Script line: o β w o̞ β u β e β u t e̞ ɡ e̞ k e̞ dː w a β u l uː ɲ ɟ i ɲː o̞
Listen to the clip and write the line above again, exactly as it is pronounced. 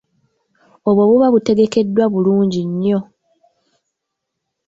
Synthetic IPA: o β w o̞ β u β a β u t e̞ ɡ e̞ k e̞ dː w a β u l uː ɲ ɟ i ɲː o̞